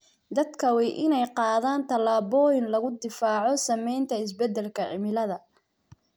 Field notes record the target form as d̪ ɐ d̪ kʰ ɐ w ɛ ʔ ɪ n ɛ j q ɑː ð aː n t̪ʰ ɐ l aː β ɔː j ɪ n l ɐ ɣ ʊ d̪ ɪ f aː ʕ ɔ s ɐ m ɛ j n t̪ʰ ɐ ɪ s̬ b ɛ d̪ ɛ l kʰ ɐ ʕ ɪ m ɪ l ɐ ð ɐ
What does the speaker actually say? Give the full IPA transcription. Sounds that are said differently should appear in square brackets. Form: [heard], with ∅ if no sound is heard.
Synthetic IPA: d̪ ɐ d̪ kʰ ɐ w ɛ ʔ ɪ n ɛ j q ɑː ð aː n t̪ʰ ɐ l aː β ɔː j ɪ n l ɐ ɣ ʊ d̪ ɪ f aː ʕ ɔ s ɐ m ɛ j n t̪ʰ ɐ ɪ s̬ b ɛ d̪ ɛ l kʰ ɐ ʕ ɪ m ɪ l ɐ ð ɐ